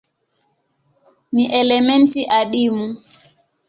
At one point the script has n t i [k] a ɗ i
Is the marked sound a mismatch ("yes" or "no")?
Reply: yes